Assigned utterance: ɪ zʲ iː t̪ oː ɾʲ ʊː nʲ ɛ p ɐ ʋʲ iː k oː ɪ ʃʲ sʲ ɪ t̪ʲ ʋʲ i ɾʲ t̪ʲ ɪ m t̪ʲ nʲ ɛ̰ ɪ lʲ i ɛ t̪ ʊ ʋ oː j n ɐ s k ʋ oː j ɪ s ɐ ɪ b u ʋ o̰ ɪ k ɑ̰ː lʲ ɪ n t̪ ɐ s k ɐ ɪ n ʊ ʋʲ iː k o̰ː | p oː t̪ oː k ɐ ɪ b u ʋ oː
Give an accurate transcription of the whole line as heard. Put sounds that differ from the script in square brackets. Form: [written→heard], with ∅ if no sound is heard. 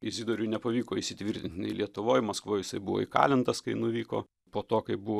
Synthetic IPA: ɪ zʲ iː [t̪→d̪] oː ɾʲ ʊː nʲ ɛ p ɐ ʋʲ iː k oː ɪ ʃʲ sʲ ɪ t̪ʲ ʋʲ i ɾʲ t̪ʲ ɪ [m→n] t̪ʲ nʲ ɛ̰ ɪ lʲ i ɛ t̪ ʊ ʋ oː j [n→m] ɐ s k ʋ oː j ɪ s ɐ ɪ b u ʋ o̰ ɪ k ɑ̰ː lʲ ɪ n t̪ ɐ s k ɐ ɪ n ʊ ʋʲ iː k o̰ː | p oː t̪ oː k ɐ ɪ b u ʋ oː